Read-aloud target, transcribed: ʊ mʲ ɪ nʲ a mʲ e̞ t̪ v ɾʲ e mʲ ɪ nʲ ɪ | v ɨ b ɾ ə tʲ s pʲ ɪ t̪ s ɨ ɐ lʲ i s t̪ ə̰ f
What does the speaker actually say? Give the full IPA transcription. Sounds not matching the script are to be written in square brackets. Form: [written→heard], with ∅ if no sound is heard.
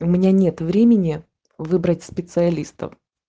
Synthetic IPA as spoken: ʊ mʲ ɪ nʲ a [mʲ→nʲ] e̞ t̪ v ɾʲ e mʲ ɪ nʲ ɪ | v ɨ b ɾ ə tʲ s pʲ ɪ t̪ s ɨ ɐ lʲ i s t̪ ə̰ f